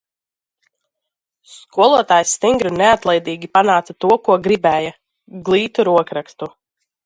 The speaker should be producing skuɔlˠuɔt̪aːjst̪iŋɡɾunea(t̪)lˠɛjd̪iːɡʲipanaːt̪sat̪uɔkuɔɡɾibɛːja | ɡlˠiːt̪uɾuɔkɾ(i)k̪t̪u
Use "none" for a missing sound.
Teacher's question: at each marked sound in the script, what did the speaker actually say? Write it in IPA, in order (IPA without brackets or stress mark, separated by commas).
t̪, a